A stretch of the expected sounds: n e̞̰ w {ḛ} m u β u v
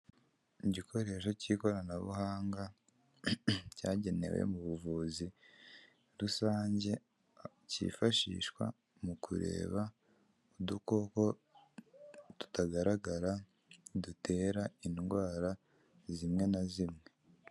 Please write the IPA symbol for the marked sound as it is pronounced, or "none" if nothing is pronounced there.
ḛ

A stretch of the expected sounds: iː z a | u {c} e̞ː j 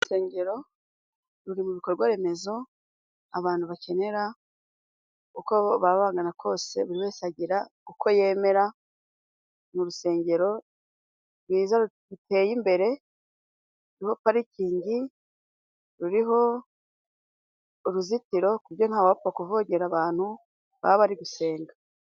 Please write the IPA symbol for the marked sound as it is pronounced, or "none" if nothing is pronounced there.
t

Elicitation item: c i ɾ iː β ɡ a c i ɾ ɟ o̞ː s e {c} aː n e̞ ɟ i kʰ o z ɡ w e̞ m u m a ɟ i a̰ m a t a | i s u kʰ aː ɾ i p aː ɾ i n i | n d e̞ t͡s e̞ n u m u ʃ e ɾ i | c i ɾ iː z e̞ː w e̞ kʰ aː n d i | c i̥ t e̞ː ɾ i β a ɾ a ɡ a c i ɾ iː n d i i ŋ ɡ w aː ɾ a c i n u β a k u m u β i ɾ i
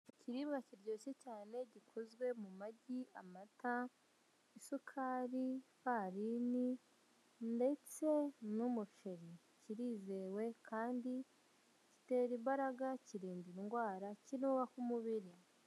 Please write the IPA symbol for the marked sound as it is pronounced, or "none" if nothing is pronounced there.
c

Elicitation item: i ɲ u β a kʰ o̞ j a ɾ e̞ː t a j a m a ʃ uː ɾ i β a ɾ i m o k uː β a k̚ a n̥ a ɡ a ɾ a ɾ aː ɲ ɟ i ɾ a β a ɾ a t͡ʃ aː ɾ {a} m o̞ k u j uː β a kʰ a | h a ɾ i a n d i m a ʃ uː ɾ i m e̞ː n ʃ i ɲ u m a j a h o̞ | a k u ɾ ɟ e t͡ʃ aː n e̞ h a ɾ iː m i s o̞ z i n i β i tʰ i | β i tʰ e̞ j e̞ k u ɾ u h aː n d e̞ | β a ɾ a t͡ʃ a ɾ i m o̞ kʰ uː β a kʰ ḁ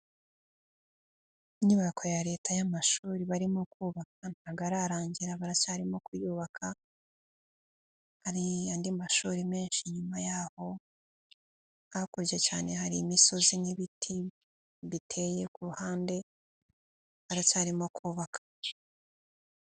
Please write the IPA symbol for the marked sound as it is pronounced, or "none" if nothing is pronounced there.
i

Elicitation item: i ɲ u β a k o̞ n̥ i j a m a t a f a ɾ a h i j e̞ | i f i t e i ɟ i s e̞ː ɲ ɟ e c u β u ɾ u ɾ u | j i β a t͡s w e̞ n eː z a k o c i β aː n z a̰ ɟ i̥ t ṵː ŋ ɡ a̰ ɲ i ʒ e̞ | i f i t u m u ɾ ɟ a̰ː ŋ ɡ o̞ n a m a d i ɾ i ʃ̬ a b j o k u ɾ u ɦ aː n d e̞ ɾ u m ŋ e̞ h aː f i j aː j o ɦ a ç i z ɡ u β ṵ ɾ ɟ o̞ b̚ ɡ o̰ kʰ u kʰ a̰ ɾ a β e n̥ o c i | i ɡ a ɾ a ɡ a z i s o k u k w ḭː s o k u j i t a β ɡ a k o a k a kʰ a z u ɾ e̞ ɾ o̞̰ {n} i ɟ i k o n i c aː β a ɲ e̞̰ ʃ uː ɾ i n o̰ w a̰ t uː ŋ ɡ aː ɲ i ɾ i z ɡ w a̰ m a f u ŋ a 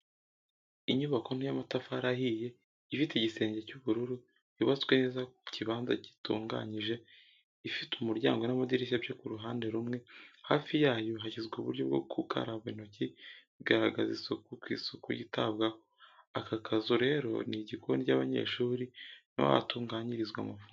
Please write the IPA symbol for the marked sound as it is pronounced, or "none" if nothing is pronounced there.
n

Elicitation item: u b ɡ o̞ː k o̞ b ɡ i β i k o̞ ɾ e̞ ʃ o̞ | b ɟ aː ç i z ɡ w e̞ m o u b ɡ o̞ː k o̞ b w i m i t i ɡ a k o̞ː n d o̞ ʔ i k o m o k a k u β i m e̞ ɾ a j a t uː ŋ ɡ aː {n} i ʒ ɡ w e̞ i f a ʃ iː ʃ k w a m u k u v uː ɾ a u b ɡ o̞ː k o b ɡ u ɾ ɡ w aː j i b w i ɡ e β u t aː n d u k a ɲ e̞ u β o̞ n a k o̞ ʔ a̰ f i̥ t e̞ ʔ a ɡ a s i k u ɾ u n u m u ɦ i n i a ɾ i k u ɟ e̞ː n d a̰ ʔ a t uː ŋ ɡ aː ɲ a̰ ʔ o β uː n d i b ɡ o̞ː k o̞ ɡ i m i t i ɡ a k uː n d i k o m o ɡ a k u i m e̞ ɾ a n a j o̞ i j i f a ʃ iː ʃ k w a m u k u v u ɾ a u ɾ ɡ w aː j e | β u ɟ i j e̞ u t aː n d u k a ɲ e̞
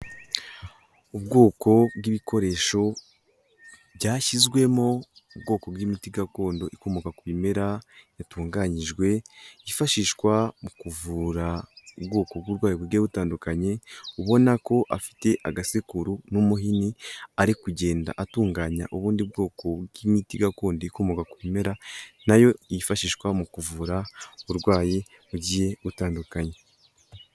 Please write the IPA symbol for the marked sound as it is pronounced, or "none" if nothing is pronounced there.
ɲ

